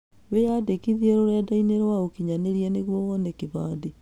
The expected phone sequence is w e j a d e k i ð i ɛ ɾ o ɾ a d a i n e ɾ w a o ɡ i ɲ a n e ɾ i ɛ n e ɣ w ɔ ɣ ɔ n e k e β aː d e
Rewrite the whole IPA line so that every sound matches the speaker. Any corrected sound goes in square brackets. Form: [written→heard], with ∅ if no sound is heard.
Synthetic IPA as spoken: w e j a d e k i ð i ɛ ɾ o ɾ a d a i n e ɾ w a o [ɡ→k] i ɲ a n e ɾ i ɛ n e ɣ w ɔ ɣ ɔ n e k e β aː d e

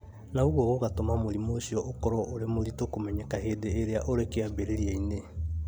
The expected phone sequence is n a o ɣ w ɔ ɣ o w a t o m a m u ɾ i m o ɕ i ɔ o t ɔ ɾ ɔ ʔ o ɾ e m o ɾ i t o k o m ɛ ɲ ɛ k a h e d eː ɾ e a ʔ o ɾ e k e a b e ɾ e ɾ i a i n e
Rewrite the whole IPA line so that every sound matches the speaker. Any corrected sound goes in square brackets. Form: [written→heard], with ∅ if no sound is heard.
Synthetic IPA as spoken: n a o ɣ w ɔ ɣ o [w→ɣ] a t o m a m [u→o] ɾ i m o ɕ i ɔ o [t→k] ɔ ɾ ɔ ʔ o ɾ e m o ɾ i t o k o m ɛ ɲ ɛ k a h e d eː ɾ e a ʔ o ɾ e k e a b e ɾ e ɾ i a i n e

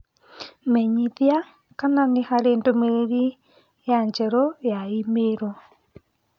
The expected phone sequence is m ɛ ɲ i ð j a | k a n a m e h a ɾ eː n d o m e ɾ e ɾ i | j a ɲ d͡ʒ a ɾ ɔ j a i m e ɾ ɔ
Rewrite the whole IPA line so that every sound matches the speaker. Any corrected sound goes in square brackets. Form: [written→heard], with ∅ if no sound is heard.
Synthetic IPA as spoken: m ɛ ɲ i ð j a | k a n a [m→n] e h a ɾ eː n d o m e ɾ e ɾ i | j a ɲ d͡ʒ [a→ɛ] ɾ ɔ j a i m e ɾ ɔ

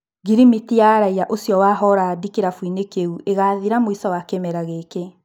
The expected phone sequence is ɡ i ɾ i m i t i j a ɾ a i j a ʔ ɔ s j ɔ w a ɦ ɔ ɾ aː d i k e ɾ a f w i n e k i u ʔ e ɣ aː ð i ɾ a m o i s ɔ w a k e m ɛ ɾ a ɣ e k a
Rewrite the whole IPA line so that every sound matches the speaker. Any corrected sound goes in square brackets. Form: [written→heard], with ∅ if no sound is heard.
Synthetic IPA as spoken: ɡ i ɾ i m i t i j a ɾ a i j a ʔ [ɔ→o] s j ɔ w a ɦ ɔ ɾ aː d i k e ɾ a f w i n e k [i→e] u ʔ e ɣ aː ð i ɾ a m o i s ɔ w a k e m ɛ ɾ a ɣ e k [a→e]

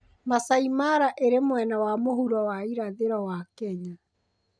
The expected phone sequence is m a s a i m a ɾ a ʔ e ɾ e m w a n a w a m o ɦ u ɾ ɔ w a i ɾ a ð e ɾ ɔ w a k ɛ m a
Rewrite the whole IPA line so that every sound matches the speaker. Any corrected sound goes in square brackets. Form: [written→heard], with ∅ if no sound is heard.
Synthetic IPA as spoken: m a s a i m a ɾ a ʔ e ɾ e m w [a→ɛ] n a w a m o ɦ u ɾ ɔ w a i ɾ a ð e ɾ ɔ w a k ɛ [m→ɲ] a

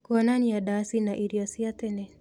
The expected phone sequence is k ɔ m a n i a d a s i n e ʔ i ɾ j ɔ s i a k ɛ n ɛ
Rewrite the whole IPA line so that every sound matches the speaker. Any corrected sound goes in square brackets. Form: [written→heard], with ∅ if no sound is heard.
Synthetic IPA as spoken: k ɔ [m→n] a n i a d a s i n [e→a] ʔ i ɾ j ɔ s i a [k→t] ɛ n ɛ

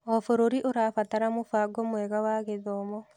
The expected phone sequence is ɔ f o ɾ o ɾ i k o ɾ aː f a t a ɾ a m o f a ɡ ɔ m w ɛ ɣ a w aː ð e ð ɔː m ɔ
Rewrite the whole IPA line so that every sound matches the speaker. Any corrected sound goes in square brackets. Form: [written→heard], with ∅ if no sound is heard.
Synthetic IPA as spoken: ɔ f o ɾ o ɾ i [k→ʔ] o ɾ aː f a t a ɾ a m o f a ɡ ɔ m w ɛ ɣ a w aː [ð→ɣ] e ð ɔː m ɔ

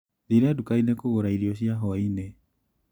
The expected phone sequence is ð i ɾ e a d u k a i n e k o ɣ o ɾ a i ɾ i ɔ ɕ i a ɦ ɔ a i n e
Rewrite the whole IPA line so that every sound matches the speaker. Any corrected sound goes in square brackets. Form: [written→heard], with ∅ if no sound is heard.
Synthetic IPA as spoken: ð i ɾ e a d u k a i n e k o ɣ o ɾ a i ɾ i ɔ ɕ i a ɦ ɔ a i n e

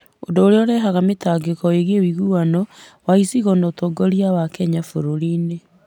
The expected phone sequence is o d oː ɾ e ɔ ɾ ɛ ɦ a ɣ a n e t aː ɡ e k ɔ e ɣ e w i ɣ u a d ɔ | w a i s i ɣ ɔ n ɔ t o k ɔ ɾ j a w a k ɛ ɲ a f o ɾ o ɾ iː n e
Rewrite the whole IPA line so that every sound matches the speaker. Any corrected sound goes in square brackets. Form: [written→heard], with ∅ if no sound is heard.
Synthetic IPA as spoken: o d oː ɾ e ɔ ɾ ɛ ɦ a ɣ a [n→m] e t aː ɡ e k ɔ e ɣ e w i ɣ u a [d→n] ɔ | w a i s i ɣ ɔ n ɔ t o [k→ɡ] ɔ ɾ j a w a k ɛ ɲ a f o ɾ o ɾ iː n e

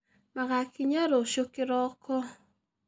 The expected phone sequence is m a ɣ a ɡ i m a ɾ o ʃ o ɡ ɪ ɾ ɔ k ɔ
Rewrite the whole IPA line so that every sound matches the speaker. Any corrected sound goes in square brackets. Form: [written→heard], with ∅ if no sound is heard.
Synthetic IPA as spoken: m a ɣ a [ɡ→k] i [m→ɲ] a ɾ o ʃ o [ɡ→k] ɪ ɾ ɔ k ɔ

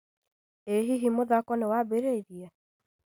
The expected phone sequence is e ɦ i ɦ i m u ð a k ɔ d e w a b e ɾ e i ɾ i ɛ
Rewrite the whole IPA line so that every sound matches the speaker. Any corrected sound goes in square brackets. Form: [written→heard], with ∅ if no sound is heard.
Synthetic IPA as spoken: e ɦ i ɦ i m [u→o] ð a k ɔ [d→n] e w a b e ɾ e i ɾ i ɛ

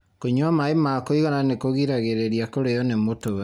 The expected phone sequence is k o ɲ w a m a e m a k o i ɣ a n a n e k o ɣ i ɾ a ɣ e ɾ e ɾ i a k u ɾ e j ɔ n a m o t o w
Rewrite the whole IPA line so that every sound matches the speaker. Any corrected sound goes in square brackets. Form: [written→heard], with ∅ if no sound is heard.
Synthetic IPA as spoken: k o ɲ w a m a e m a k o i ɣ a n a n e k o ɣ i ɾ a ɣ e ɾ e ɾ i a k [u→o] ɾ e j ɔ n [a→e] m o t o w

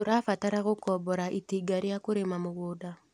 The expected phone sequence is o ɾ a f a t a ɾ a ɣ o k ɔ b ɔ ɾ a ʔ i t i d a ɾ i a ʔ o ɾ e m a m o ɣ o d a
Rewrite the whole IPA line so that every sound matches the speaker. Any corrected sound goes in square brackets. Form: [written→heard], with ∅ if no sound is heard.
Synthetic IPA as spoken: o ɾ a f a t a ɾ a ɣ o k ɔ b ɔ ɾ a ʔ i t i [d→ɡ] a ɾ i a [ʔ→k] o ɾ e m a m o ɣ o d a

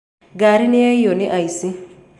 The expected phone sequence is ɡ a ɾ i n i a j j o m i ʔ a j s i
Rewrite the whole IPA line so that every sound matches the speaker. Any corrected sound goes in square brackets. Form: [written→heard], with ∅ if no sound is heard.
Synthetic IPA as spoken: ɡ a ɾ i n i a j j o [m→n] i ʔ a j s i

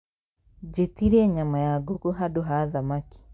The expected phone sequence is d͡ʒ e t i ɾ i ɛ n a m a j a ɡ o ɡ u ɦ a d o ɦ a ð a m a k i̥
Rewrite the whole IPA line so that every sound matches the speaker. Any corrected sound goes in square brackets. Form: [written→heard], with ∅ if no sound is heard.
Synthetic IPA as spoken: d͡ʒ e t i ɾ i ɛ [n→ɲ] a m a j a ɡ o [ɡ→k] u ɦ a d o ɦ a ð a m a k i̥

